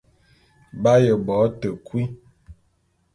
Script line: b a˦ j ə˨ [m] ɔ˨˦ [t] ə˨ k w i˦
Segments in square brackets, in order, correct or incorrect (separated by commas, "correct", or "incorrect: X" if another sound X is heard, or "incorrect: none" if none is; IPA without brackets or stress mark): incorrect: b, correct